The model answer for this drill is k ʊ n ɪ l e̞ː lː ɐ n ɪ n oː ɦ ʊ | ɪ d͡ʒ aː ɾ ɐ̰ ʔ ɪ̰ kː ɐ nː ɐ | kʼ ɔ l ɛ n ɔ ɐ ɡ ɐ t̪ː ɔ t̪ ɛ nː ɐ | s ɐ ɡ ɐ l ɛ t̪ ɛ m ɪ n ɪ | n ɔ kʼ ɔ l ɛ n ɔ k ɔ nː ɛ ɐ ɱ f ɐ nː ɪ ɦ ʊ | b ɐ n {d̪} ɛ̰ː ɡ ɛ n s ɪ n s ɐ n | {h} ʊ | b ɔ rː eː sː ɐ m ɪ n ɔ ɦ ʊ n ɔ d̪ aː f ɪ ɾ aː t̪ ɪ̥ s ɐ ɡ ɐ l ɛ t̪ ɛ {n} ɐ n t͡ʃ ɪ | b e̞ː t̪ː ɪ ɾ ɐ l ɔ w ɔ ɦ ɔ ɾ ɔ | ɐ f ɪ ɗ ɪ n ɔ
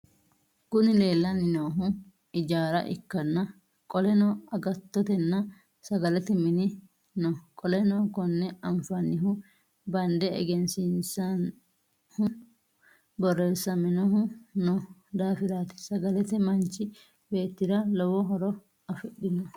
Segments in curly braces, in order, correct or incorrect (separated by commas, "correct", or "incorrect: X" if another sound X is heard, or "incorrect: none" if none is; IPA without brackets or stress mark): correct, correct, incorrect: m